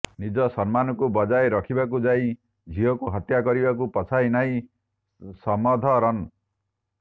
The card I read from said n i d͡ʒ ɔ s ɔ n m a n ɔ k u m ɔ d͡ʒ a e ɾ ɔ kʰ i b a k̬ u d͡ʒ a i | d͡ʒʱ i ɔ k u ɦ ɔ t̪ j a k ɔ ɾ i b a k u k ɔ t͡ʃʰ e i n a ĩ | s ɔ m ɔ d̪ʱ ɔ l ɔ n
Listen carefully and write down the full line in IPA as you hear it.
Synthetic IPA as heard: n i d͡ʒ ɔ s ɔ n m a n ɔ k u b ɔ d͡ʒ a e ɾ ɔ kʰ i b a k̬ u d͡ʒ a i | d͡ʒʱ i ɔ k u ɦ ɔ t̪ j a k ɔ ɾ i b a k u p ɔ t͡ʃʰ a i n a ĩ | s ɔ m ɔ d̪ʱ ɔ ɾ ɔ n

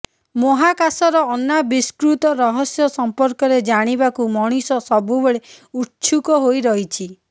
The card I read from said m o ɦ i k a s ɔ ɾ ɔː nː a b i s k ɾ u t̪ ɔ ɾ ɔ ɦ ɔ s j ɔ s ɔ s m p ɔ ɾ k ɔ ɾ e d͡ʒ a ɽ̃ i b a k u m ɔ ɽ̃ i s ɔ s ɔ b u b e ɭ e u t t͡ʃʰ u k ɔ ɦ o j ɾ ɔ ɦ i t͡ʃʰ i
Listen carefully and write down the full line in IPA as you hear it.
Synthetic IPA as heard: m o ɦ a k a s ɔ ɾ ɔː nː a b i s k ɾ u t̪ ɔ ɾ ɔ ɦ ɔ s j ɔ s ɔ m p ɔ ɾ k ɔ ɾ e d͡ʒ a ɽ̃ i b a k u m ɔ ɽ̃ i s ɔ s ɔ b u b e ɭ e u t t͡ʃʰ u k ɔ ɦ o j ɾ ɔ ɦ i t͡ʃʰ i

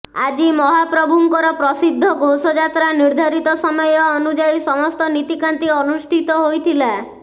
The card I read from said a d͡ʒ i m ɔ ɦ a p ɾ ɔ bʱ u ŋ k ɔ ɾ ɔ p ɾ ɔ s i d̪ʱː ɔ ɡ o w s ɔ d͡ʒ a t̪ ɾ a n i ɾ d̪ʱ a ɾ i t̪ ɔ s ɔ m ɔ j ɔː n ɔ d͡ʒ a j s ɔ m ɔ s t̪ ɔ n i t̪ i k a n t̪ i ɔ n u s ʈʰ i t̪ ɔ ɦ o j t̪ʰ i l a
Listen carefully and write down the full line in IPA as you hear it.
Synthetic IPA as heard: a d͡ʒ i m ɔ ɦ a p ɾ ɔ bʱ u ŋ k ɔ ɾ ɔ p ɾ ɔ s i d̪ʱː ɔ ɡ o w s ɔ d͡ʒ a t̪ ɾ a n i ɾ d̪ʱ a ɾ i t̪ ɔ s ɔ m ɔ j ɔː n u d͡ʒ a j s ɔ m ɔ s t̪ ɔ n i t̪ i k a n t̪ i ɔ n u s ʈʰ i t̪ ɔ ɦ o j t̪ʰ i l a

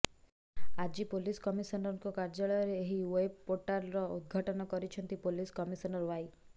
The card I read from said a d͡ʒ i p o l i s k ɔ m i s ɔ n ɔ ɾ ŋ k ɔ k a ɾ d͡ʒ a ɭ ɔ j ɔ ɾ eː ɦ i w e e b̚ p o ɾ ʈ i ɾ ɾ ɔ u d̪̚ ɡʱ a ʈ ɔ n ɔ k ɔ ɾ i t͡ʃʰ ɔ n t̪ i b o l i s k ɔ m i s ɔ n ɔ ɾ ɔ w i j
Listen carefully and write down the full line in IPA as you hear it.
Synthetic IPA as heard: a d͡ʒ i p o l i s k ɔ m i s ɔ n ɔ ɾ ŋ k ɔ k a ɾ d͡ʒ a ɭ ɔ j ɔ ɾ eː ɦ i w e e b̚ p o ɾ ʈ a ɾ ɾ ɔ u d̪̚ ɡʱ a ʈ ɔ n ɔ k ɔ ɾ i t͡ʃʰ ɔ n t̪ i p o l i s k ɔ m i s ɔ n ɔ ɾ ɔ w a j

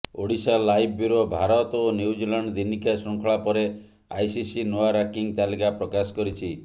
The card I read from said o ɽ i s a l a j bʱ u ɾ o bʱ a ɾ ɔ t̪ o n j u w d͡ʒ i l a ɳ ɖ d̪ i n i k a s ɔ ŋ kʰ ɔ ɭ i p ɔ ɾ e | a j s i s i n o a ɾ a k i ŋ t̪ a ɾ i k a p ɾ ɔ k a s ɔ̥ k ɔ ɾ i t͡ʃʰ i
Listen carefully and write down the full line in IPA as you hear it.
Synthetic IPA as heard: o ɽ i s a l a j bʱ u ɾ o bʱ a ɾ ɔ t̪ o n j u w d͡ʒ i l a ɳ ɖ d̪ i n i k a s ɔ ŋ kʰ ɔ ɭ a p ɔ ɾ e | a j s i s i n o a ɾ a k i ŋ t̪ a l i k a p ɾ ɔ k a s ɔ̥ k ɔ ɾ i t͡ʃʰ i

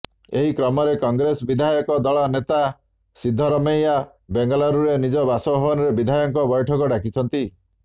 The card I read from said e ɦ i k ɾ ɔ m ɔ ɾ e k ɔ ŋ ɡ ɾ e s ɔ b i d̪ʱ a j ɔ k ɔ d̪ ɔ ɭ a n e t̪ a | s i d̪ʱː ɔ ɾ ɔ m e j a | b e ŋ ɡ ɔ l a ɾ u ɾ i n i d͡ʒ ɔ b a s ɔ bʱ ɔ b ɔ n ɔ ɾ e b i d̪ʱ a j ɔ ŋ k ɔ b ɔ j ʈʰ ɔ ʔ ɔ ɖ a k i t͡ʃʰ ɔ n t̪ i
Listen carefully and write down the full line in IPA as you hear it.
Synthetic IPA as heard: e ɦ i k ɾ ɔ m ɔ ɾ e k ɔ ŋ ɡ ɾ e s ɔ b i d̪ʱ a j ɔ k ɔ d̪ ɔ ɭ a n e t̪ a | s i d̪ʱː ɔ ɾ ɔ m e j a | b e ŋ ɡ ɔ l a ɾ u ɾ e n i d͡ʒ ɔ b a s ɔ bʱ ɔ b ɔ n ɔ ɾ e b i d̪ʱ a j ɔ ŋ k ɔ b ɔ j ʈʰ ɔ k ɔ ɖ a k i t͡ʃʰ ɔ n t̪ i

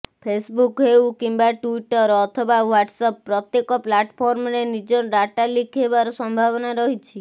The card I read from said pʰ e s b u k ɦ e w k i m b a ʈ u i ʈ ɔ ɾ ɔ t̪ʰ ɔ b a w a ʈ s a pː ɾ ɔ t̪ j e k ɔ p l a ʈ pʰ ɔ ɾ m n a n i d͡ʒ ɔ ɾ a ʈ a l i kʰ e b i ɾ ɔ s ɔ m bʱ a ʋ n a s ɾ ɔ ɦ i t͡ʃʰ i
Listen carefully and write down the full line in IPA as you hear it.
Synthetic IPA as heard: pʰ e s b u k ɦ e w k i m b a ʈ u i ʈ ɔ ɾ ɔ t̪ʰ ɔ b a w a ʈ s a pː ɾ ɔ t̪ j e k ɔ p l a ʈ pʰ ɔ ɾ m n e n i d͡ʒ ɔ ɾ a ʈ a l i kʰ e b a ɾ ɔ s ɔ m bʱ a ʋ n a ɾ ɔ ɦ i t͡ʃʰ i

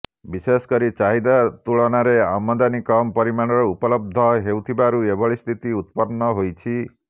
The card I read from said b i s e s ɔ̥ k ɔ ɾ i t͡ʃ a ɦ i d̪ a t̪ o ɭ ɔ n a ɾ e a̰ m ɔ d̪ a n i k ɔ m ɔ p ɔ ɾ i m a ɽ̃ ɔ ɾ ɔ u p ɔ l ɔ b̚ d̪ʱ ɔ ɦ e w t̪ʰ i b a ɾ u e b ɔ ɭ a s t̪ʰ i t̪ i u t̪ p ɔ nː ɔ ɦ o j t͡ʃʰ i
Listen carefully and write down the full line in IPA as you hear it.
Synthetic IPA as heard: b i s e s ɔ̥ k ɔ ɾ i t͡ʃ a ɦ i d̪ a t̪ u ɭ ɔ n a ɾ e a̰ m ɔ d̪ a n i k ɔ m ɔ p ɔ ɾ i m a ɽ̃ ɔ ɾ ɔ u p ɔ l ɔ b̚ d̪ʱ ɔ ɦ e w t̪ʰ i b a ɾ u e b ɔ ɭ i s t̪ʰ i t̪ i u t̪ p ɔ nː ɔ ɦ o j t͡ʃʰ i

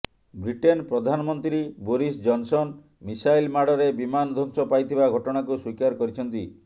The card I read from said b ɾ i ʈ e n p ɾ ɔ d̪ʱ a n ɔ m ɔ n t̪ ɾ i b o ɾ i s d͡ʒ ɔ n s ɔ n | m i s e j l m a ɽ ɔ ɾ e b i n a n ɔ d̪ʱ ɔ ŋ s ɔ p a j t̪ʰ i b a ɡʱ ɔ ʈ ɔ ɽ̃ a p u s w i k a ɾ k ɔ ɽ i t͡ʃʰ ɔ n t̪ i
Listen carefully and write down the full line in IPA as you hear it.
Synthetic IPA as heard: b ɾ i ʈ e n p ɾ ɔ d̪ʱ a n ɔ m ɔ n t̪ ɾ i b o ɾ i s d͡ʒ ɔ n s ɔ n | m i s a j l m a ɽ ɔ ɾ e b i m a n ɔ d̪ʱ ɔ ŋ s ɔ p a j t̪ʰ i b a ɡʱ ɔ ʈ ɔ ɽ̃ a k u s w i k a ɾ k ɔ ɾ i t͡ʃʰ ɔ n t̪ i

